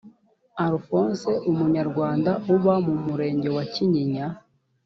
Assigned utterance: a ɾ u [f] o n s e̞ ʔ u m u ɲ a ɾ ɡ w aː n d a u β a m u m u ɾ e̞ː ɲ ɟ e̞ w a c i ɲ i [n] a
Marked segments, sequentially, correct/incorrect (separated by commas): correct, incorrect